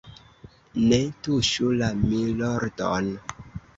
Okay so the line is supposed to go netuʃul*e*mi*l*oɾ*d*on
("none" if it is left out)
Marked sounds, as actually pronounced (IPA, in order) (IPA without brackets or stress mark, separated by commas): a, l, d